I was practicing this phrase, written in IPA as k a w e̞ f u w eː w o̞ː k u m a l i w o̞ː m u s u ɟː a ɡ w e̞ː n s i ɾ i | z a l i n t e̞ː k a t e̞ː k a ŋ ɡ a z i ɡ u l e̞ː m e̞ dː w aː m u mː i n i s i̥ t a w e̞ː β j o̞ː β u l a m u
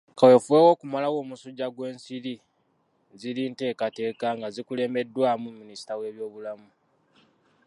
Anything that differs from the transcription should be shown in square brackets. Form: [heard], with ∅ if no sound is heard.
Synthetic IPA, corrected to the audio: k a w e̞ f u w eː w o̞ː k u m a l [a] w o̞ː m u s u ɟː a ɡ w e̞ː n s i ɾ i | z [i] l i n t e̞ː k a t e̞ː k a ŋ ɡ a z i [k] u l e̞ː m e̞ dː w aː m u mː i n i s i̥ t a w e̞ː β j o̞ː β u l a m u